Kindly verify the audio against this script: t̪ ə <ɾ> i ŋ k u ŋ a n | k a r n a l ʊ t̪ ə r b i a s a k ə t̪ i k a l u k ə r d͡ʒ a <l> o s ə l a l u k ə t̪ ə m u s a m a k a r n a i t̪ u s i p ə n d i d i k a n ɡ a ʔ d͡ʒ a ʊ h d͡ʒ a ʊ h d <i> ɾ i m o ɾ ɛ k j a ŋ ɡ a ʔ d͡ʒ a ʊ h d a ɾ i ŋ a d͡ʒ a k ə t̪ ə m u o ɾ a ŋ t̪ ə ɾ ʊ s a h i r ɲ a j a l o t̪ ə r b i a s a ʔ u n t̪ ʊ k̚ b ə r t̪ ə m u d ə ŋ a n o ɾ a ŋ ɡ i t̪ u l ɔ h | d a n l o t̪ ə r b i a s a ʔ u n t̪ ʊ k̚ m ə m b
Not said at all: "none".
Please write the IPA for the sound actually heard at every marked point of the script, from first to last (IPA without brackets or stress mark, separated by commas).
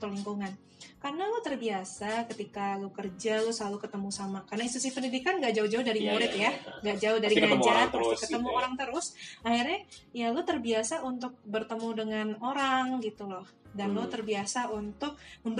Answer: l, l, a